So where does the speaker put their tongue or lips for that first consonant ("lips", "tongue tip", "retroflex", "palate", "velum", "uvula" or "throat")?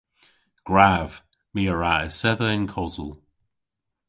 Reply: velum